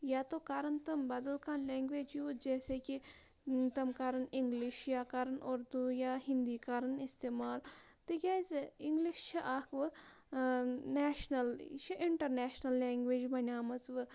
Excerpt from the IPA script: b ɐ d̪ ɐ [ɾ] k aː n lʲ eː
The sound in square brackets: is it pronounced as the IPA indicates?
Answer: no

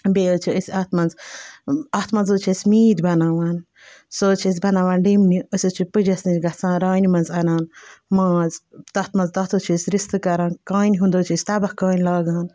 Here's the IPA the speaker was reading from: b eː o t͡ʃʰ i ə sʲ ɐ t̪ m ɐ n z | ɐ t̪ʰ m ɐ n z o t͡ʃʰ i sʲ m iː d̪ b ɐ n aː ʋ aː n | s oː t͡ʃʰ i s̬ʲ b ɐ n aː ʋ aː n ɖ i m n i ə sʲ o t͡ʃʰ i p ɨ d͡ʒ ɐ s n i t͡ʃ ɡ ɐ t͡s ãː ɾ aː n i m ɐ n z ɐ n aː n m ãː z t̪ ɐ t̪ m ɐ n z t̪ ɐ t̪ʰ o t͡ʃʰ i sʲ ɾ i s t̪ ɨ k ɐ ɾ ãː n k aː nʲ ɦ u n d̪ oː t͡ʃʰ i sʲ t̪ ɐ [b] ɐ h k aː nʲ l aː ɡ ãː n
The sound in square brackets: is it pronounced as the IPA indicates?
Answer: yes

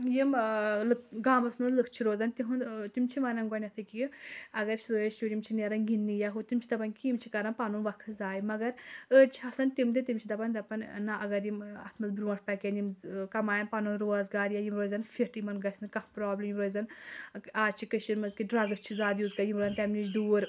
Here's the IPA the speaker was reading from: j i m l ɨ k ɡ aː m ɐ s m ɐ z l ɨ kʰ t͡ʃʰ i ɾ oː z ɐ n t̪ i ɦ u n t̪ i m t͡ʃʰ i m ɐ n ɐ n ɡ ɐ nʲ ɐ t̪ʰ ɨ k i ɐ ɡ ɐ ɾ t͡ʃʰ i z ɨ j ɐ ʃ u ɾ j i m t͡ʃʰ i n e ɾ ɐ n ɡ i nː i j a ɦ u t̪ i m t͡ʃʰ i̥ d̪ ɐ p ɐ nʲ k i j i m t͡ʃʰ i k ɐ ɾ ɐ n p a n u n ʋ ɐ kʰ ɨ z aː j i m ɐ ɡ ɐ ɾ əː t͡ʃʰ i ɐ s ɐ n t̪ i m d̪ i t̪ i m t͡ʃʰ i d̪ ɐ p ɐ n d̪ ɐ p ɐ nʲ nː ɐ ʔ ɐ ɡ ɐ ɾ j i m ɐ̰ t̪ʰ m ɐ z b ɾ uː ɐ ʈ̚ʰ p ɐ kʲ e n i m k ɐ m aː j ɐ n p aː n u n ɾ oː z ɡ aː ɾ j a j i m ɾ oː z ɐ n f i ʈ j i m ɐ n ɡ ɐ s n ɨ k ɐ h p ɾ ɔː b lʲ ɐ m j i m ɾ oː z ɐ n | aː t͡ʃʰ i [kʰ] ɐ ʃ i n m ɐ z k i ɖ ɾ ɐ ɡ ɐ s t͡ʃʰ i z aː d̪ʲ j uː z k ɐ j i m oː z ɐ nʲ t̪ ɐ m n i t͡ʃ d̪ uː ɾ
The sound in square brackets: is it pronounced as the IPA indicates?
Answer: no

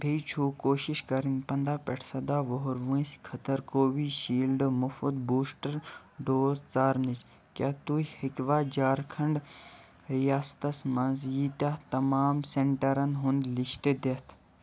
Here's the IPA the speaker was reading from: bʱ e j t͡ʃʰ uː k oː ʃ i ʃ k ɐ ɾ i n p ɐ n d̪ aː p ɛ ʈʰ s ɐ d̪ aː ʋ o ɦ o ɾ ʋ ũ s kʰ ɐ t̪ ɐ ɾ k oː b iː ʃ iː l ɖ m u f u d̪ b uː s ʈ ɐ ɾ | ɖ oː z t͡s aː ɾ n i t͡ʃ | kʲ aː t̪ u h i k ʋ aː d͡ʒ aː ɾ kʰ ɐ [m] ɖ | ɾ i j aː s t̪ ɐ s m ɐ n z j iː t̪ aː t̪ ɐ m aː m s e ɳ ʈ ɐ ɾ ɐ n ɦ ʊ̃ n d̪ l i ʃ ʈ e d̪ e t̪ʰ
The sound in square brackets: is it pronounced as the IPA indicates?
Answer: no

